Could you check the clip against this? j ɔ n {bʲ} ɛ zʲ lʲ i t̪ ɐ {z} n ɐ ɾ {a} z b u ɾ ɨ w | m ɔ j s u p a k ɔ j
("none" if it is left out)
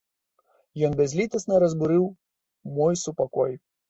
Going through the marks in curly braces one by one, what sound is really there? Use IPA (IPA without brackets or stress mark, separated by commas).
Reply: bʲ, s, ɐ